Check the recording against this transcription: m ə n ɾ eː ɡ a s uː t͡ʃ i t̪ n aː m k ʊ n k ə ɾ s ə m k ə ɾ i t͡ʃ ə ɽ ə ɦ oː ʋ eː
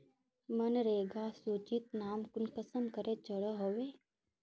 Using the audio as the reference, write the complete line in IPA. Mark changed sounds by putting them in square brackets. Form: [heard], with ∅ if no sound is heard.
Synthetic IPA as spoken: m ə n ɾ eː ɡ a s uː t͡ʃ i t̪ n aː m k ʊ n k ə [∅] s ə m k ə ɾ [e] t͡ʃ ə ɽ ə ɦ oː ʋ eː